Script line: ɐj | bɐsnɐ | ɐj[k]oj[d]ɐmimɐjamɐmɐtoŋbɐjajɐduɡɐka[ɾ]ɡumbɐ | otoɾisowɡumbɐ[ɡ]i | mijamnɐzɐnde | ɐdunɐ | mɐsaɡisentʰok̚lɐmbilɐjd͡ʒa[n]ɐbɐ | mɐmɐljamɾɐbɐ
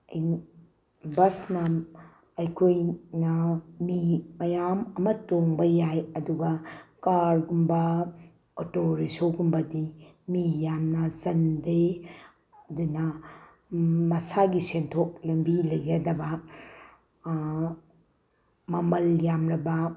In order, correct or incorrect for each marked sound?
incorrect: kʰ, incorrect: n, correct, incorrect: d, incorrect: d

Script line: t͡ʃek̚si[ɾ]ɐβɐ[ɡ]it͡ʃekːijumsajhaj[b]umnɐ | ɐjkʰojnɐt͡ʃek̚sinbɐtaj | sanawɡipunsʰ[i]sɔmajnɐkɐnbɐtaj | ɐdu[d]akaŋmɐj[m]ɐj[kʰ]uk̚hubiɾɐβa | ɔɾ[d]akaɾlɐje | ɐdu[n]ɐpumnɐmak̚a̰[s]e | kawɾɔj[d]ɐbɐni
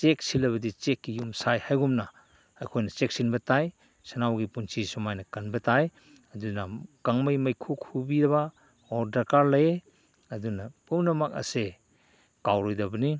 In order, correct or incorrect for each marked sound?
incorrect: l, incorrect: d, incorrect: ɡ, correct, incorrect: n, correct, correct, correct, correct, correct, correct

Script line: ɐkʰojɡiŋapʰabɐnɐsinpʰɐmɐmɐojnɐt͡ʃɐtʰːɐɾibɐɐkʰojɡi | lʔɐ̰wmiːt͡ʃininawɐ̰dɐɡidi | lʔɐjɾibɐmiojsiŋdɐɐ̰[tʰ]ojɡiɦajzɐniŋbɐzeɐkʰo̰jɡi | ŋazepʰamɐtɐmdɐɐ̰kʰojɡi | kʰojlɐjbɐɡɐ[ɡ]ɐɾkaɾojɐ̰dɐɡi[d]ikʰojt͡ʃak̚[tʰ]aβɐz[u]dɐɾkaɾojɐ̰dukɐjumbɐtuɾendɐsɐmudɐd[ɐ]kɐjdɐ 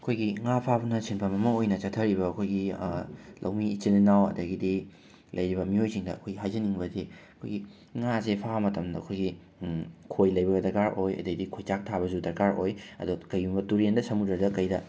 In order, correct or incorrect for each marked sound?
incorrect: kʰ, incorrect: d, correct, correct, correct, correct

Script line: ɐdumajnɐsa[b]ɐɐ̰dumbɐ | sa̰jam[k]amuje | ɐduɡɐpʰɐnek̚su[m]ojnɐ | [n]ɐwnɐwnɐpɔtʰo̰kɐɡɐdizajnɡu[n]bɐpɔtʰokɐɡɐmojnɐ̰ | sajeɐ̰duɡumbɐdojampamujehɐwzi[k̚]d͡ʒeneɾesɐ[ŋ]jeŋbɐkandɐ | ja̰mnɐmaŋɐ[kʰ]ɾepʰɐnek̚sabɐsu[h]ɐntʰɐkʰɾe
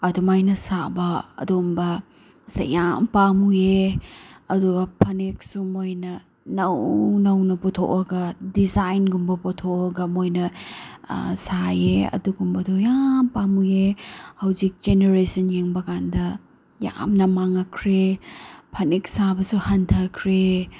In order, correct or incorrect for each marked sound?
correct, incorrect: p, correct, correct, incorrect: m, correct, incorrect: n, correct, correct

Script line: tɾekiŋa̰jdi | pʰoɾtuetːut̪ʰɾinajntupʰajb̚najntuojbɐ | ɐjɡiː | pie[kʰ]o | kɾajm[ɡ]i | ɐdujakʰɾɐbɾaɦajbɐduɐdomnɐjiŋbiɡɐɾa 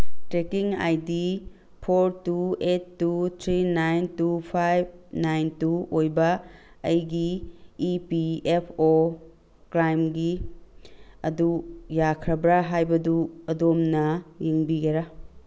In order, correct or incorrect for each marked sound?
incorrect: pʰ, correct

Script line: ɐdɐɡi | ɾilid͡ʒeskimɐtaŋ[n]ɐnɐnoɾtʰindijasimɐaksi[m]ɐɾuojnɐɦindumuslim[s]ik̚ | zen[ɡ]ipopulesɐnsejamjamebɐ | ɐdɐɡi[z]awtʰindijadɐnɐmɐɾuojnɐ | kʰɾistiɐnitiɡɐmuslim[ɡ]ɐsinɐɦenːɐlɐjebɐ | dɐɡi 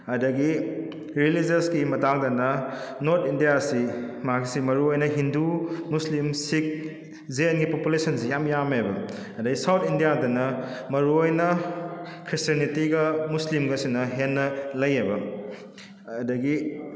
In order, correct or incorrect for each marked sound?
incorrect: d, correct, correct, correct, incorrect: s, correct

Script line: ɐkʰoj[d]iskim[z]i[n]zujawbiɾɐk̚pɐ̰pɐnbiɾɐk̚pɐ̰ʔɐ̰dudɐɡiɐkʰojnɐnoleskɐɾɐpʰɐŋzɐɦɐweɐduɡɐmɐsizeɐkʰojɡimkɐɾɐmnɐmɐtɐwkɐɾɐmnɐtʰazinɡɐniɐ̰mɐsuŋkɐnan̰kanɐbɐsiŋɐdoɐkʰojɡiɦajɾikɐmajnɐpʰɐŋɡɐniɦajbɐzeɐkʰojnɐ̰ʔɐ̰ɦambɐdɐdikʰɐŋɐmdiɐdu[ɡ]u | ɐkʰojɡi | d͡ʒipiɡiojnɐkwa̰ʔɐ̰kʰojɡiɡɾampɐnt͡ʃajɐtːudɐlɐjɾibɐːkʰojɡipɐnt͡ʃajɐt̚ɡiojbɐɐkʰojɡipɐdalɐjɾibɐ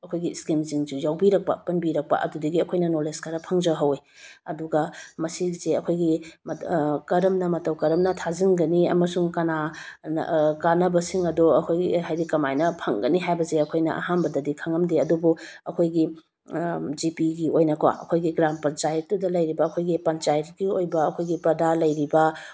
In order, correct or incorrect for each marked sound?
incorrect: ɡ, correct, incorrect: ŋ, incorrect: b

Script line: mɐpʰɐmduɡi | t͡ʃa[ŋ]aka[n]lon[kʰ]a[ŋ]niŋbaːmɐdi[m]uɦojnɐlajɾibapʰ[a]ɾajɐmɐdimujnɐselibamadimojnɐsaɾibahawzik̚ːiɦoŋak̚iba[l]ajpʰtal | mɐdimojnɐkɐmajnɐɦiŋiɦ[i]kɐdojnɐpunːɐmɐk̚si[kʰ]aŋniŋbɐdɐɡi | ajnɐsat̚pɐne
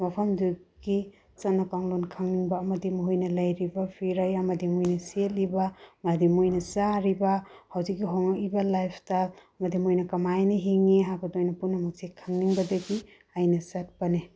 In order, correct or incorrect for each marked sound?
incorrect: n, incorrect: ŋ, correct, correct, correct, incorrect: i, correct, incorrect: a, correct

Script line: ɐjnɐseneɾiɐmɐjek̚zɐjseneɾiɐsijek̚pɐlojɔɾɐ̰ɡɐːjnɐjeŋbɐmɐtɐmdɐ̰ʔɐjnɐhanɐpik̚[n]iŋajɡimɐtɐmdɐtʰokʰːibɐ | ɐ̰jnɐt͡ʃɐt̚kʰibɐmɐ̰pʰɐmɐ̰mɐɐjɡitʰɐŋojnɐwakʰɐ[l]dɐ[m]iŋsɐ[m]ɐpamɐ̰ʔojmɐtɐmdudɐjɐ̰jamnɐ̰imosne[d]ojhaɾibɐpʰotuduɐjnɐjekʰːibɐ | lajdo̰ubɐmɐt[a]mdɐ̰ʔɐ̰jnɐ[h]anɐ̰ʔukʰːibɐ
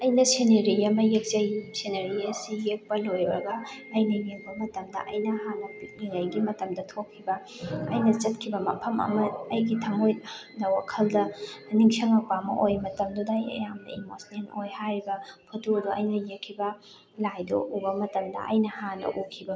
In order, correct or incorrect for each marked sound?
correct, correct, incorrect: n, incorrect: ŋ, incorrect: n, incorrect: ɐ, correct

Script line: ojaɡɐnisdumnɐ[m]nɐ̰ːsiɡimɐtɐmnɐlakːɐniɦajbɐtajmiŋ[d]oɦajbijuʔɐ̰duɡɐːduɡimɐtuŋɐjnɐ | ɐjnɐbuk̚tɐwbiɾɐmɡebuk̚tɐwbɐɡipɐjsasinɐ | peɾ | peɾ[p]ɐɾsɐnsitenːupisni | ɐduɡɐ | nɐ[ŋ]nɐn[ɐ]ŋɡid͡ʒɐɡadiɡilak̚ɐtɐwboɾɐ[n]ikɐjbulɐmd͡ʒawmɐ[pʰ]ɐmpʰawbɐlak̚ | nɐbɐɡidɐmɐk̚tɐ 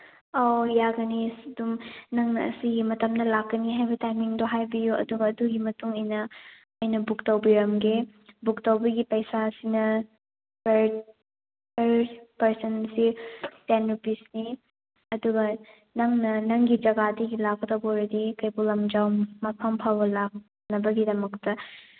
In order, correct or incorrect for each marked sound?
incorrect: ŋ, correct, correct, correct, correct, incorrect: d, correct

